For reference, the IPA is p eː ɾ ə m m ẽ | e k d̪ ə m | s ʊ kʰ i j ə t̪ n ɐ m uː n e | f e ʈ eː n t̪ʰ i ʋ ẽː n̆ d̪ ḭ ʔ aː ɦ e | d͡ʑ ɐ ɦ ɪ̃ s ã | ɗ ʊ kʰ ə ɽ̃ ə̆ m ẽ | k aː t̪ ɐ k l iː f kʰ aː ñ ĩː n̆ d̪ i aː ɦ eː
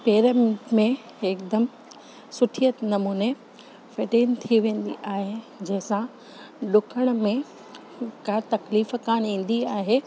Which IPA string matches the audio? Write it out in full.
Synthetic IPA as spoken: p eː ɾ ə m m ẽ | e k d̪ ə m | s ʊ ʈʰ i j ə t̪ n ɐ m uː n e | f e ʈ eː n t̪ʰ i ʋ ẽː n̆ d̪ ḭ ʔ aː ɦ e | d͡ʑ ɐ ɦ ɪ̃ s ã | ɗ ʊ kʰ ə ɽ̃ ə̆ m ẽ | k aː t̪ ɐ k l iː f k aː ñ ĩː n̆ d̪ i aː ɦ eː